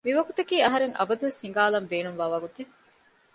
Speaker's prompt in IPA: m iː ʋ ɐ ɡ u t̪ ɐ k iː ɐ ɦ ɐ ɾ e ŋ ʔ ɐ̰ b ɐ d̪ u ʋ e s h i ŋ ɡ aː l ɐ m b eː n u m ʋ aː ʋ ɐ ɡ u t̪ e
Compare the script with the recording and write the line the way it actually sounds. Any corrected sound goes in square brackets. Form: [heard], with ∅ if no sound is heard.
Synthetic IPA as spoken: m [i] ʋ ɐ ɡ u t̪ ɐ k iː ɐ ɦ ɐ ɾ e ŋ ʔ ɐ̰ b ɐ d̪ u ʋ e s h i ŋ ɡ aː l ɐ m b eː n u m ʋ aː ʋ ɐ ɡ u t̪ e